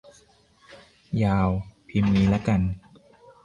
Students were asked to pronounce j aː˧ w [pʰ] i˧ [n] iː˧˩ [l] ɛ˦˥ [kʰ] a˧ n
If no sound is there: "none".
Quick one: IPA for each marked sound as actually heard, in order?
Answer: pʰ, m, l, k

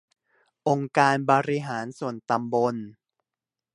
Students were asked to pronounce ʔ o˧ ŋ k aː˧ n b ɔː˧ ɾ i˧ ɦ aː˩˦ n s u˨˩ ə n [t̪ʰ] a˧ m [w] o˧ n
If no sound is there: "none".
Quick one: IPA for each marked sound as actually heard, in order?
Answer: t̪, b

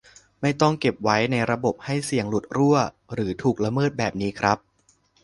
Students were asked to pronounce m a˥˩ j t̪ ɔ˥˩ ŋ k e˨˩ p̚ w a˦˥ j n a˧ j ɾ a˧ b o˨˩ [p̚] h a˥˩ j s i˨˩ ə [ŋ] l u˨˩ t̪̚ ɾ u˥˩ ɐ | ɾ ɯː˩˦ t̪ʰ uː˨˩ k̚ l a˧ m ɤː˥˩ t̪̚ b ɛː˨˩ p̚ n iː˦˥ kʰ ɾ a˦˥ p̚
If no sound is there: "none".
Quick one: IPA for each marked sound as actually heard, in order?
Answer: p̚, ŋ

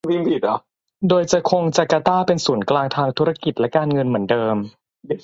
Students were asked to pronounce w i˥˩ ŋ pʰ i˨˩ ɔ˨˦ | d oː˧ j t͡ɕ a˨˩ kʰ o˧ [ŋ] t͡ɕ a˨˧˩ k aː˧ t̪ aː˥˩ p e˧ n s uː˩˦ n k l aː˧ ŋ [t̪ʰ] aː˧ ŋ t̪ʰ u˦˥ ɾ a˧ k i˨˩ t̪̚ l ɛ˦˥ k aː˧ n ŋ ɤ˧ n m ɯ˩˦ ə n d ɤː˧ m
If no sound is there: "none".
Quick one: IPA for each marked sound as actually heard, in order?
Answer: ŋ, t̪ʰ

